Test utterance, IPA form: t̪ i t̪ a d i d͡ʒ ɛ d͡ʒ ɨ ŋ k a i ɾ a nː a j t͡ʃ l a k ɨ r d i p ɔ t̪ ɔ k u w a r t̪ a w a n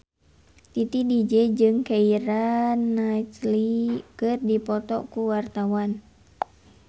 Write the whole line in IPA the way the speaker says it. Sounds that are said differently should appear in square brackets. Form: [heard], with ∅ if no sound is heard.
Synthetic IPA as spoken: t̪ i t̪ [i] d i d͡ʒ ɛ d͡ʒ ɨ ŋ k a i ɾ a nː a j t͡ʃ l [i] k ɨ r d i p ɔ t̪ ɔ k u w a r t̪ a w a n